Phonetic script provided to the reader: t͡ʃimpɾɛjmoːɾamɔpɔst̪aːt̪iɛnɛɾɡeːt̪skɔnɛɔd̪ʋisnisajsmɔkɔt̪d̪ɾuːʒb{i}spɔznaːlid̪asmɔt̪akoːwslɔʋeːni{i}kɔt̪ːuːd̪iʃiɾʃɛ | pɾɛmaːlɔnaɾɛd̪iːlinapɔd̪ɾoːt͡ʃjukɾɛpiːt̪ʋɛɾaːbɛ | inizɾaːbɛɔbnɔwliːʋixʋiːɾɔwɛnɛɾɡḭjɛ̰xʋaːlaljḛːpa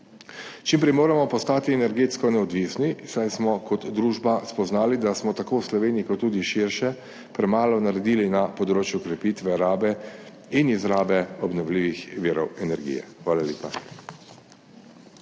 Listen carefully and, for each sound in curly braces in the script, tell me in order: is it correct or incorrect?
incorrect: a, correct

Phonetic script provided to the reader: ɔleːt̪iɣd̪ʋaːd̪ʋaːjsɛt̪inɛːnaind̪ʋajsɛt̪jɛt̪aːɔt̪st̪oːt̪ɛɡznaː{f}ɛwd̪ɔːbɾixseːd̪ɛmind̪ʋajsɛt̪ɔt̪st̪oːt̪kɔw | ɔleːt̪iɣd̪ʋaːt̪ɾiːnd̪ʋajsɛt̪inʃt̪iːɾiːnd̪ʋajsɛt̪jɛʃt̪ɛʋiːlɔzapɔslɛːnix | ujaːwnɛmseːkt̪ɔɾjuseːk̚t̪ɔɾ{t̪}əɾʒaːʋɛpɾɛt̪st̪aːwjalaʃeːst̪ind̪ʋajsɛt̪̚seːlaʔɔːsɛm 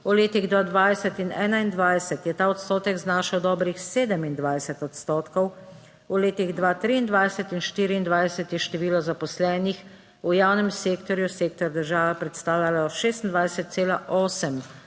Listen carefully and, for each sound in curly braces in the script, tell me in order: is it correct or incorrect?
incorrect: ʃ, incorrect: d̪

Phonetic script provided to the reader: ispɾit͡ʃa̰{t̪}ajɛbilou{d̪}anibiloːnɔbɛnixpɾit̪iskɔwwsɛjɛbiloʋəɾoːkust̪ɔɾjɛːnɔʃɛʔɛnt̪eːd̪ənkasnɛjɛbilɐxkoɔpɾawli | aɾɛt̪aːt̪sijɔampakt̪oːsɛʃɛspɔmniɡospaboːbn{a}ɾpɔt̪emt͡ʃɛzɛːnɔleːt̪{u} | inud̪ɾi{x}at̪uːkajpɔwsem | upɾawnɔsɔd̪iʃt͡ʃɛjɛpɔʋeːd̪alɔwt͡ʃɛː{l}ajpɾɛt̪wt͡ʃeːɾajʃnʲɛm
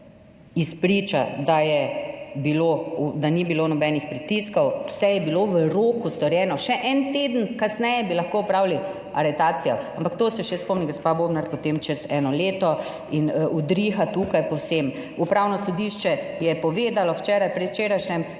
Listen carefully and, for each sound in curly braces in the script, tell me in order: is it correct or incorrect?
incorrect: d̪, correct, correct, incorrect: ɔ, correct, incorrect: ɾ

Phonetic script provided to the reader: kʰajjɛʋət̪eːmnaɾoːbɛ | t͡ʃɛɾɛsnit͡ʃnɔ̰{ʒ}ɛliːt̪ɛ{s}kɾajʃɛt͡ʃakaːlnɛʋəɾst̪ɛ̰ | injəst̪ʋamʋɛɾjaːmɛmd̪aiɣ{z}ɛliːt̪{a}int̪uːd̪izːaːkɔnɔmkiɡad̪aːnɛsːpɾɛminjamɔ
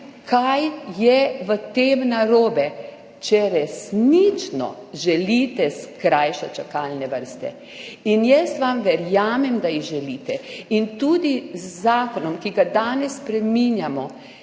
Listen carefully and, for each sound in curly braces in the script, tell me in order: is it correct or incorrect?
correct, correct, incorrect: ʒ, incorrect: ɛ

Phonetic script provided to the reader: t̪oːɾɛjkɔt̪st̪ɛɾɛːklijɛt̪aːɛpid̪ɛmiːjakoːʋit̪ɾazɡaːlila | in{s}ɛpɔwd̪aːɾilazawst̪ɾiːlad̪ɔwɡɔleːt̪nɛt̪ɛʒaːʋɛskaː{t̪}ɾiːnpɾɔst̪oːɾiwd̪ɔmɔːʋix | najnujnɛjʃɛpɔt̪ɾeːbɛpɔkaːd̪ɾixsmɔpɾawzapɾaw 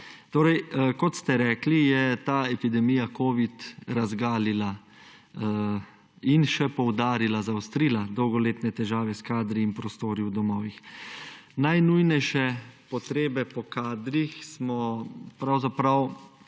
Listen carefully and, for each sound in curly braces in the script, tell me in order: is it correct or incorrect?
incorrect: ʃ, incorrect: d̪

